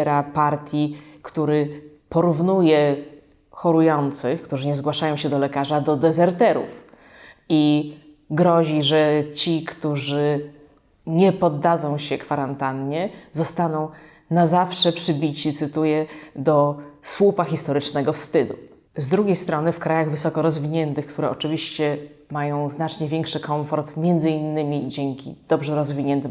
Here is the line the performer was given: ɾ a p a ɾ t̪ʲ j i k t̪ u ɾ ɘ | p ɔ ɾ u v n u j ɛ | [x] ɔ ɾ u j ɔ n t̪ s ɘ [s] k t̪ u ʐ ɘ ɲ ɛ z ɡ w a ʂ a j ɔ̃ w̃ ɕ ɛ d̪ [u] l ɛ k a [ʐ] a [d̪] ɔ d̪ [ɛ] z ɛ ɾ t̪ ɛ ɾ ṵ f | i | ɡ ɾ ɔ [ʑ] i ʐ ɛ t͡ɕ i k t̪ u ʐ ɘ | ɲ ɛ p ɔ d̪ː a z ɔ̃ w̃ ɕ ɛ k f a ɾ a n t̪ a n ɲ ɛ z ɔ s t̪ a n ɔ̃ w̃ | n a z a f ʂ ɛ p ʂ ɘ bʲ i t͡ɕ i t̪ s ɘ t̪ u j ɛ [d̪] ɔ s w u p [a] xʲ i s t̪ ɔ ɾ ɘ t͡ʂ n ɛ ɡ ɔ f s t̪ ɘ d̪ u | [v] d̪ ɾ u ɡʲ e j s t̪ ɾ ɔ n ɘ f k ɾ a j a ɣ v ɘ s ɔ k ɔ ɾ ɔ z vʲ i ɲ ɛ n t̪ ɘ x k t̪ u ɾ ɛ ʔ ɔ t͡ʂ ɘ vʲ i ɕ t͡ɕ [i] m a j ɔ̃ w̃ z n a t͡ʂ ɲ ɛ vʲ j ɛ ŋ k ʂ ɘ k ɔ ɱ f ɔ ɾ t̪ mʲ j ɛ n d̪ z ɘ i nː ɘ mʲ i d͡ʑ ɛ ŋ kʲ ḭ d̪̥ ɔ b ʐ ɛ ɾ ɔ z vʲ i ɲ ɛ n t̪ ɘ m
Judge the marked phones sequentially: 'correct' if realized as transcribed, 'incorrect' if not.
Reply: correct, incorrect: x, incorrect: ɔ, correct, correct, correct, correct, correct, correct, incorrect: z, incorrect: ɛ

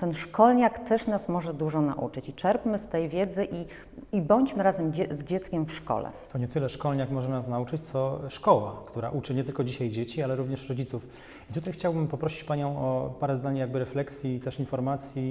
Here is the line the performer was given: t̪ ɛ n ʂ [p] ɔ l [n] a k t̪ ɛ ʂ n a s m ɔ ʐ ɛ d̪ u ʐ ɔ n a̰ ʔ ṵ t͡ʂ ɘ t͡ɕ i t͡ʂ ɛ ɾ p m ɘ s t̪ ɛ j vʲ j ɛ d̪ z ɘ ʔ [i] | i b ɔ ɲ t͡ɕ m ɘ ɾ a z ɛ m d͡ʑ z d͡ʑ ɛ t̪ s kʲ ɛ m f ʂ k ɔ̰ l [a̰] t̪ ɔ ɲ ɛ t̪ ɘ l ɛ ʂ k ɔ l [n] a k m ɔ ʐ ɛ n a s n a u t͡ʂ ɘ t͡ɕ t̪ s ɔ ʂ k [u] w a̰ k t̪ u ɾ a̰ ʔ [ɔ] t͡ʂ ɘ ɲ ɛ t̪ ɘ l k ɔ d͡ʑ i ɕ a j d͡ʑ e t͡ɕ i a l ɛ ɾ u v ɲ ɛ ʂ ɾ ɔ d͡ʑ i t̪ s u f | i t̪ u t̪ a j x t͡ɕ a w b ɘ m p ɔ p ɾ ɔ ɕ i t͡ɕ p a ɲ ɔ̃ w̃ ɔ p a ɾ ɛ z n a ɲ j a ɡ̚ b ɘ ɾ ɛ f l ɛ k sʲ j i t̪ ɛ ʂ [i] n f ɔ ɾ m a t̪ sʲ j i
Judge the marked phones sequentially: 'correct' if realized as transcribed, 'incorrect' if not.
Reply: incorrect: k, incorrect: ɲ, correct, incorrect: ɛ̰, incorrect: ɲ, incorrect: ɔ, incorrect: u, correct

